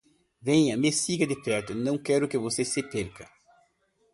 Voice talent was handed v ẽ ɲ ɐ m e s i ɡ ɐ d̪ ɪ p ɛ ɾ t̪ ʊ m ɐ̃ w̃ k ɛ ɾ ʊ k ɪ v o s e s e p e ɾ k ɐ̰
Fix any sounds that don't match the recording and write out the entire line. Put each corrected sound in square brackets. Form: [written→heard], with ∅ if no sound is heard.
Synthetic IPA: v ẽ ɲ ɐ m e s i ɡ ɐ d̪ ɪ p ɛ ɾ t̪ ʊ [m→n] ɐ̃ w̃ k ɛ ɾ ʊ k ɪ v o s e s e p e ɾ k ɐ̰

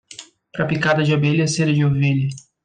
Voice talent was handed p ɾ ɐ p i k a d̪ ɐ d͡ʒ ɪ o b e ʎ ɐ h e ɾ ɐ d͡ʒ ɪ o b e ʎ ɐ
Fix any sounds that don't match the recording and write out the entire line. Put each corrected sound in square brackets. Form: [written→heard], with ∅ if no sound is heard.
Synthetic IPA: p ɾ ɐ p i k a d̪ ɐ d͡ʒ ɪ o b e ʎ ɐ [h→s] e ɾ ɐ d͡ʒ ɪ o [b→v] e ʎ ɐ

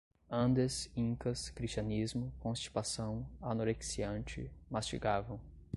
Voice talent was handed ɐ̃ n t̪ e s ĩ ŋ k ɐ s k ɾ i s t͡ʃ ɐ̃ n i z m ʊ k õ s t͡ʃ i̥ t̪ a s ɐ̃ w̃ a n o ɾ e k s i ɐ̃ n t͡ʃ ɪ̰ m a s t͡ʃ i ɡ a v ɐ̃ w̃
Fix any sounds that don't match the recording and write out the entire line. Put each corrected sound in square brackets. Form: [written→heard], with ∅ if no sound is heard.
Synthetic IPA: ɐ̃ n [t̪→d̪] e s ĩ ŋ k ɐ s k ɾ i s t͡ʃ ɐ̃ n i z m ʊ k õ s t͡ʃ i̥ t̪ a s ɐ̃ w̃ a n o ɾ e k s i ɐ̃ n t͡ʃ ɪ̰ m a s t͡ʃ i ɡ a v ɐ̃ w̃

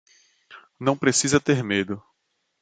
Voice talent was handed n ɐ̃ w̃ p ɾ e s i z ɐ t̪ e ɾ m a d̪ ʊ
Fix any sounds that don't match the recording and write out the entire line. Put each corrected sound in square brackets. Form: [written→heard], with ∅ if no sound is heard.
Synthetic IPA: n ɐ̃ w̃ p ɾ e s i z ɐ t̪ e ɾ m [a→e] d̪ ʊ

